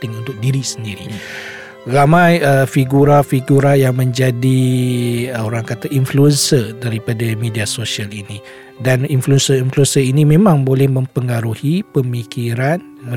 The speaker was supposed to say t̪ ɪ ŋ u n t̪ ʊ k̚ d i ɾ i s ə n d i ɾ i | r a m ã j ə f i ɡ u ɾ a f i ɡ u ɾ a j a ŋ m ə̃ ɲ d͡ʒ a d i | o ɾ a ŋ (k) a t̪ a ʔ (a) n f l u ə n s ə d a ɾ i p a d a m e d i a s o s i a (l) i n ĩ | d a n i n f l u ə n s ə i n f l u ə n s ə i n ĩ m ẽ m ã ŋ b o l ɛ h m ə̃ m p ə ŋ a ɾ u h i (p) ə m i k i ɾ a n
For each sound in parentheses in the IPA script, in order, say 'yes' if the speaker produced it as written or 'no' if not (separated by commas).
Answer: yes, no, yes, yes